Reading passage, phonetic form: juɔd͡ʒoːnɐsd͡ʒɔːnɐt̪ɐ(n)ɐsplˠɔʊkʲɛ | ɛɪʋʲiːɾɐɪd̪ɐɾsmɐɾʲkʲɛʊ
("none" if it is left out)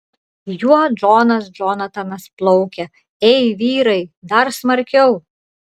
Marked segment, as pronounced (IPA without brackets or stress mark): n